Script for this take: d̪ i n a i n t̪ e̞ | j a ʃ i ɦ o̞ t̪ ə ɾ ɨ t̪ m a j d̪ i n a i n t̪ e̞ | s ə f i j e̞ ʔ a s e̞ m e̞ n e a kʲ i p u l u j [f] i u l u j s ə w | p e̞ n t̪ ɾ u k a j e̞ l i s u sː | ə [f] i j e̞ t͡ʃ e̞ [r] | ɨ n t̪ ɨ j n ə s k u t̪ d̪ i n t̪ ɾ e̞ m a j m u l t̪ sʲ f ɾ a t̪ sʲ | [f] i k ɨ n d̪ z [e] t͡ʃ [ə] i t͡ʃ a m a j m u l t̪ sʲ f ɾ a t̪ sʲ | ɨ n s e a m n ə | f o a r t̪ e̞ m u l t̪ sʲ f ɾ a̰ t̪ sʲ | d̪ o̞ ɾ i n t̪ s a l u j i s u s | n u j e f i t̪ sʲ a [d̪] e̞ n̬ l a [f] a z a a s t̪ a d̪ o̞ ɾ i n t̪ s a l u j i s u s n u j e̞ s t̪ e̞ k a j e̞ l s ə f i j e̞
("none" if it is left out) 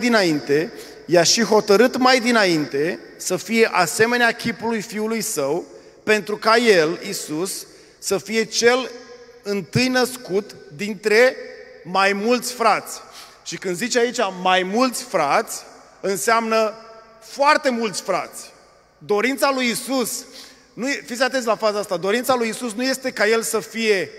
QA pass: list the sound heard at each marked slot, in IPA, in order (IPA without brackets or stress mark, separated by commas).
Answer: f, f, l, ʃ, i, a, t̪, f